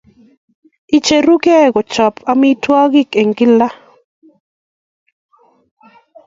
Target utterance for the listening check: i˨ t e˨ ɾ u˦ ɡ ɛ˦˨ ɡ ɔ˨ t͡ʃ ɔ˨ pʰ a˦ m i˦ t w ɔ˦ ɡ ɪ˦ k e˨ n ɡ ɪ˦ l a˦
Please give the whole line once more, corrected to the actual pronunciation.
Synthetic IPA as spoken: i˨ t͡ʃ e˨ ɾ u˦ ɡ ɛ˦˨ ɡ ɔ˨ t͡ʃ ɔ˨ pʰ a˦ m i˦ t w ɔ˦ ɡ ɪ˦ k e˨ ŋ ɡ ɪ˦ l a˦